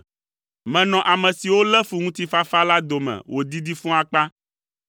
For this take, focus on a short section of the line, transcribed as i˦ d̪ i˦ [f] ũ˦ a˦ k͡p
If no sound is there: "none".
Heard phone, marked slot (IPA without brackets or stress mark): f